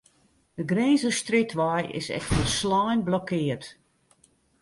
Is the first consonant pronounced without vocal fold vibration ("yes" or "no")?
no